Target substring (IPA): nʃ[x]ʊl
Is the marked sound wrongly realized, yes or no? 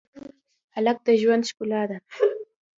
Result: yes